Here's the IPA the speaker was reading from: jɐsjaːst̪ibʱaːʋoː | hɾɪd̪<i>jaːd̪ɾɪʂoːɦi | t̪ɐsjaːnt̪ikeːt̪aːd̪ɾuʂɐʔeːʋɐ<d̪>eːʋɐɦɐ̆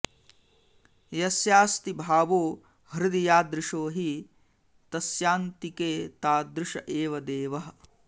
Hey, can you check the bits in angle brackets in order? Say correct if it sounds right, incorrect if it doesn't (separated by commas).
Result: correct, correct